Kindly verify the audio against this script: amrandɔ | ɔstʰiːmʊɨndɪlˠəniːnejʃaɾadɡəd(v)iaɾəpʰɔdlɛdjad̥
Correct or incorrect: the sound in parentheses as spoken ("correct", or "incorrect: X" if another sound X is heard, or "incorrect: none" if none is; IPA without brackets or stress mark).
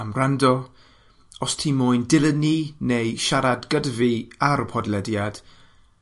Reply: correct